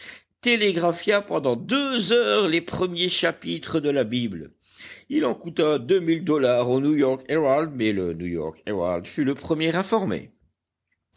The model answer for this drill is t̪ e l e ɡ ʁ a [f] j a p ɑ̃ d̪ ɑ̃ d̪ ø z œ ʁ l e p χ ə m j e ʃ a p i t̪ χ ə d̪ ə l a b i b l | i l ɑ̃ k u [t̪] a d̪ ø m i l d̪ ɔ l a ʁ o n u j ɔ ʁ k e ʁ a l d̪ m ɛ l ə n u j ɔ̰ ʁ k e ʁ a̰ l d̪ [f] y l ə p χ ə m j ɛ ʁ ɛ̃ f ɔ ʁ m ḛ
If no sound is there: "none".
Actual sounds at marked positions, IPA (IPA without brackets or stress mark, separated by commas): f, t̪, f